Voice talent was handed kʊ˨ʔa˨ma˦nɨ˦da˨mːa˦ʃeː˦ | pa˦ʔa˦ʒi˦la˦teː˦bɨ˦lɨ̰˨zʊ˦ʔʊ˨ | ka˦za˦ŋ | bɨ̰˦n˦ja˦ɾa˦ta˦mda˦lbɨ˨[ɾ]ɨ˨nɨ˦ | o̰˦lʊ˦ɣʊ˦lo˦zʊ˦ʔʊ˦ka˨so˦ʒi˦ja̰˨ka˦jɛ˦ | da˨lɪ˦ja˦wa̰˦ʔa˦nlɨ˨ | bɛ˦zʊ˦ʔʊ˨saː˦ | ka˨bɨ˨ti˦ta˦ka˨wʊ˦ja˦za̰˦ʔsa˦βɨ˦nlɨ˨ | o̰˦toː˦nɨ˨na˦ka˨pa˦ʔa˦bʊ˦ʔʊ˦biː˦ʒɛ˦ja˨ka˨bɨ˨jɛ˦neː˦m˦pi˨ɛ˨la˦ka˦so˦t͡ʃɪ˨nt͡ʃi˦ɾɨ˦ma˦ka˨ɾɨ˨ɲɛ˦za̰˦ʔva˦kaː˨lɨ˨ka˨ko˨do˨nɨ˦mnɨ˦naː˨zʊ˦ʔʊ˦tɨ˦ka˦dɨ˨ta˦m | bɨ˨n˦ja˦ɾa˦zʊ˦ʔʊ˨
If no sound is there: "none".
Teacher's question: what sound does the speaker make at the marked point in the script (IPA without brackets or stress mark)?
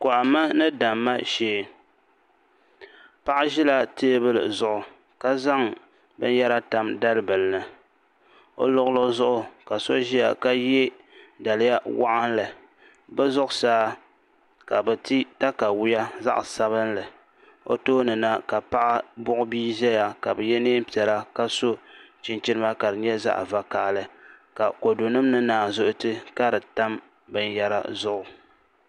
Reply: l